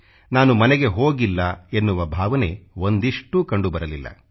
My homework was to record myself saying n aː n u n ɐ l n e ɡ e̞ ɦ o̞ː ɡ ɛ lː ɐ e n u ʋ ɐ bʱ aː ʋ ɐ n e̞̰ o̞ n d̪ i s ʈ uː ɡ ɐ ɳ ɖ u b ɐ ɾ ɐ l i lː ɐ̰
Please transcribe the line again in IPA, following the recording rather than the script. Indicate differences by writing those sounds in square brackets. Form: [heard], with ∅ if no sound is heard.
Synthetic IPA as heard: n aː n u [m] ɐ [∅] n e ɡ e̞ ɦ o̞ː ɡ [i] lː ɐ e [nː] u ʋ ɐ bʱ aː ʋ ɐ n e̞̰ o̞ n d̪ i [ʂ] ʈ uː [k] ɐ ɳ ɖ u b ɐ ɾ ɐ l i lː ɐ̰